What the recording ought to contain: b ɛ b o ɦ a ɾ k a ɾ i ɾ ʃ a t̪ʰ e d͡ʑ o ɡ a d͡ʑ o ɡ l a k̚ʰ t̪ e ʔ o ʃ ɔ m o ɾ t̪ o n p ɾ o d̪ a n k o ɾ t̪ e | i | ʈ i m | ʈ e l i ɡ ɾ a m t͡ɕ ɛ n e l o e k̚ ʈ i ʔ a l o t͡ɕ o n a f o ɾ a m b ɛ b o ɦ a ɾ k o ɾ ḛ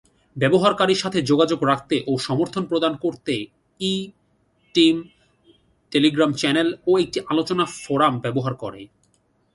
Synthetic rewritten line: b ɛ b o ɦ a ɾ k a ɾ i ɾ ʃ a t̪ʰ e d͡ʑ o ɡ a d͡ʑ o ɡ ɾ a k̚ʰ t̪ e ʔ o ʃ ɔ m o ɾ t̪ʰ o n p ɾ o d̪ a n k o ɾ t̪ e | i | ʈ i m | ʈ e l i ɡ ɾ a m t͡ɕ ɛ n e l o e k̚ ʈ i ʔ a l o t͡ɕ o n a f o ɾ a m b ɛ b o ɦ a ɾ k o ɾ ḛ

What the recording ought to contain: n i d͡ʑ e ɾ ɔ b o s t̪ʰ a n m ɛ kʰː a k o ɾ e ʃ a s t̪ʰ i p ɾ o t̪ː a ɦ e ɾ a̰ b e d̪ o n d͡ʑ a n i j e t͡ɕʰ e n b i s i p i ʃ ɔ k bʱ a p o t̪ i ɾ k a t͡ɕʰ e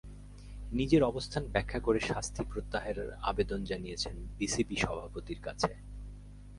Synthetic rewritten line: n i d͡ʑ e ɾ ɔ b o s t̪ʰ a n b ɛ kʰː a k o ɾ e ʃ a s t̪ʰ i p ɾ o t̪ː a ɦ e ɾ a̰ b e d̪ o n d͡ʑ a n i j e t͡ɕʰ e n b i s i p i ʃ ɔ bʱ a p o t̪ i ɾ k a t͡ɕʰ e

